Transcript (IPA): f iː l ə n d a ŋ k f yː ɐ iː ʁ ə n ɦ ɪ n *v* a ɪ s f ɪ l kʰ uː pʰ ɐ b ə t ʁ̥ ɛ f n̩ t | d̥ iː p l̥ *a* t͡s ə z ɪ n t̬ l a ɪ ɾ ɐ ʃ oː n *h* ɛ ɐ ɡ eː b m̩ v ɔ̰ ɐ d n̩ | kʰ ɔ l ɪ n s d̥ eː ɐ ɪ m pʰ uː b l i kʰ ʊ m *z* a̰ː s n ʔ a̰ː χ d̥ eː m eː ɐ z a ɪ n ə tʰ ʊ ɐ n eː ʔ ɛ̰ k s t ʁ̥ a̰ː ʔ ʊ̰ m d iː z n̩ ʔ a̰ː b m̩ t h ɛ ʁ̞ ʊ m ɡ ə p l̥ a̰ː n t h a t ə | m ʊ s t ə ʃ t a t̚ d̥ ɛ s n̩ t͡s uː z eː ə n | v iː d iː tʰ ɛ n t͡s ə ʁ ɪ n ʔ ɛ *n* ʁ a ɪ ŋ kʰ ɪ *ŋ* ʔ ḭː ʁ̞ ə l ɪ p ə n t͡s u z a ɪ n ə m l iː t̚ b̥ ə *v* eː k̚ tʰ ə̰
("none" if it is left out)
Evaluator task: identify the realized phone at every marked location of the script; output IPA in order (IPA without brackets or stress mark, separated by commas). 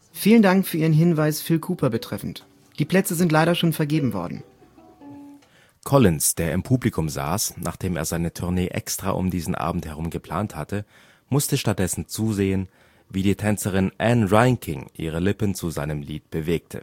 v, ɛ, f, z, n, ŋ, v